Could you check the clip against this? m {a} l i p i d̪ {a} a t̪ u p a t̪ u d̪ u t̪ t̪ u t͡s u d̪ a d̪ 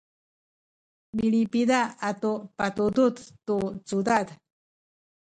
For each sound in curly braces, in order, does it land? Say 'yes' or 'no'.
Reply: no, yes

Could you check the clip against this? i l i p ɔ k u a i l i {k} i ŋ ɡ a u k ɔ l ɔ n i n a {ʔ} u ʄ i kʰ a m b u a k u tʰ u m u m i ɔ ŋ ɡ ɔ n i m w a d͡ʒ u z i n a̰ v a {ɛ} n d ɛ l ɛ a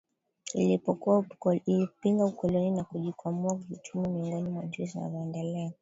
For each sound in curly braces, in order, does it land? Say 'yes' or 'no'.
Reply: no, no, yes

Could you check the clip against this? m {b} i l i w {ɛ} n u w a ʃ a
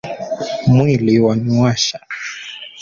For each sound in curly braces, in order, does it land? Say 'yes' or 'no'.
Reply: no, no

